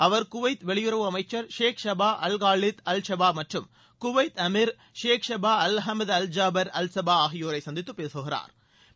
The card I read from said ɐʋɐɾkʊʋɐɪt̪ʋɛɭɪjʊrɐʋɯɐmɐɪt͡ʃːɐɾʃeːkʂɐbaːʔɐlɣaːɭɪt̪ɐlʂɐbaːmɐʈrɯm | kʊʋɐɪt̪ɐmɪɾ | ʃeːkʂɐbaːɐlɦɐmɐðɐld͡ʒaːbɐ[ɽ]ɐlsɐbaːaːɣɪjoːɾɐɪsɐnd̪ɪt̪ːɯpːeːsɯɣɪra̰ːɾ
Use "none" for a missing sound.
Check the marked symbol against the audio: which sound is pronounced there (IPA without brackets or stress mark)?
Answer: ɾ